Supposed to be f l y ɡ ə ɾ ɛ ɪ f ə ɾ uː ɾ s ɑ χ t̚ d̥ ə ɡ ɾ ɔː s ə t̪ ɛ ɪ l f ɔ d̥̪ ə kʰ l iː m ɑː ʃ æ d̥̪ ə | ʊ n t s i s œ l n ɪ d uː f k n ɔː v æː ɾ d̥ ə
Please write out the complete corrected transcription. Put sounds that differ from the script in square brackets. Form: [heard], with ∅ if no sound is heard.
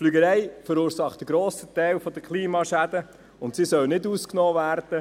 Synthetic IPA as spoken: f l y ɡ ə ɾ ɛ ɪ f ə ɾ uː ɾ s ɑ χ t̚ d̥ ə ɡ ɾ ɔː s ə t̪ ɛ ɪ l f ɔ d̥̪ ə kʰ l iː m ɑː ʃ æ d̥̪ ə | ʊ n t s i s œ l n ɪ d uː [s] k n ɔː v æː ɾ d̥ ə